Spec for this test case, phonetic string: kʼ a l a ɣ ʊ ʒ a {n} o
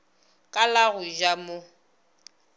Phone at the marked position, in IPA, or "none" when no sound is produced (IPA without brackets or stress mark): m